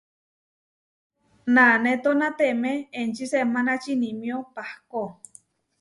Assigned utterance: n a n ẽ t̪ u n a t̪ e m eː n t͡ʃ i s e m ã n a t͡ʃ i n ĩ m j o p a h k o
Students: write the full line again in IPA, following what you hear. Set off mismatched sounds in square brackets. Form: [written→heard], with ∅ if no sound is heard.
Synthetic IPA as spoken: n a n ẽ t̪ [u→o] n a t̪ e m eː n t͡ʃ i s e m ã n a t͡ʃ i n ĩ m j o p a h k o